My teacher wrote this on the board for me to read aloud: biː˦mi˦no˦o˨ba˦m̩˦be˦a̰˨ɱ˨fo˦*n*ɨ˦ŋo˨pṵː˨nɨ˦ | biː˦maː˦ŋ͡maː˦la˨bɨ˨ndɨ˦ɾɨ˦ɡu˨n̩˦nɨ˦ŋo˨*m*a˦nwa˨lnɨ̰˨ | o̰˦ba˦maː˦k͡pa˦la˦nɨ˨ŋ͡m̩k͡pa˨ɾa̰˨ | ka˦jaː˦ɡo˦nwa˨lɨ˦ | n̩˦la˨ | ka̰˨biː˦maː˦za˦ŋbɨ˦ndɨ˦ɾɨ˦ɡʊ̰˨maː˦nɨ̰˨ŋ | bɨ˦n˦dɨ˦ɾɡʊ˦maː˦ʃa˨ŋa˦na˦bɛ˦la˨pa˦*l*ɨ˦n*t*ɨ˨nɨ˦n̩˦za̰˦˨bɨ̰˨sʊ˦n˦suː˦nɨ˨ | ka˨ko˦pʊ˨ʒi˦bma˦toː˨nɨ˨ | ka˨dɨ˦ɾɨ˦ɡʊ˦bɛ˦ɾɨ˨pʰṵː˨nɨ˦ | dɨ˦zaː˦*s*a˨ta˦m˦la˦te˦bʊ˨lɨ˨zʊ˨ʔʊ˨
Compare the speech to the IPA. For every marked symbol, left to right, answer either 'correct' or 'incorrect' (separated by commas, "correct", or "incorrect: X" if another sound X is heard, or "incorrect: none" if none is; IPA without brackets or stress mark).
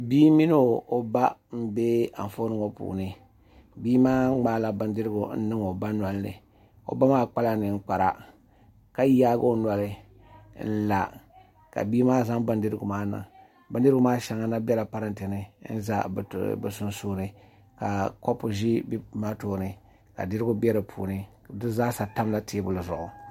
correct, incorrect: b, incorrect: ɾ, correct, correct